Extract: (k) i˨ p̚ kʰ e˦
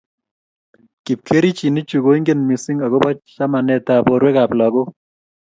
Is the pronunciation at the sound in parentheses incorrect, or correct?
correct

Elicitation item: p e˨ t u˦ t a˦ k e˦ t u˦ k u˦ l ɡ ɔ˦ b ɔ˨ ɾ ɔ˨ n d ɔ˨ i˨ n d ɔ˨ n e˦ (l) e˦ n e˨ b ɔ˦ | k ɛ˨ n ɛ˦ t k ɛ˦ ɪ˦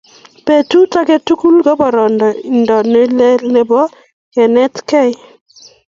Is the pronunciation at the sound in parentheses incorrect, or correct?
correct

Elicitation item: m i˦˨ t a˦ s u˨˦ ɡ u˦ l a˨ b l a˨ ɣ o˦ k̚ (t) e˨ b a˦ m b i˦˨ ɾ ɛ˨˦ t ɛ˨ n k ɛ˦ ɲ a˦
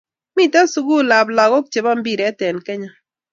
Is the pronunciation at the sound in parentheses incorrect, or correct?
incorrect: t͡ʃ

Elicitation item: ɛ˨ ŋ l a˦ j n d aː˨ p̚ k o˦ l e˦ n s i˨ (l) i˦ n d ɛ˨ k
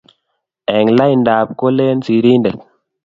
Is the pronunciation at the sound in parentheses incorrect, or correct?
incorrect: ɾ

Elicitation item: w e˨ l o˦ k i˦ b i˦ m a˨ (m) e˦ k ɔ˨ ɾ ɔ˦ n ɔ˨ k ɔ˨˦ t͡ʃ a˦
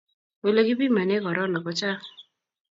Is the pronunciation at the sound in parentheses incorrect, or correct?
incorrect: n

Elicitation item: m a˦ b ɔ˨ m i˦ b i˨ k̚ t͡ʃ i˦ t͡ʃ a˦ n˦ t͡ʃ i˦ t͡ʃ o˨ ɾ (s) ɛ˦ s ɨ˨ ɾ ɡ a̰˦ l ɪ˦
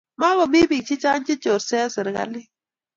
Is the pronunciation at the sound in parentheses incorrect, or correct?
correct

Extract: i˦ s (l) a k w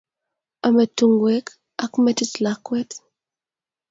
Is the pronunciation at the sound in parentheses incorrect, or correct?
correct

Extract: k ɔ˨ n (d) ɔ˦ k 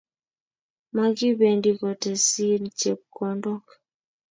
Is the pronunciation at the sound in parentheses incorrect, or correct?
correct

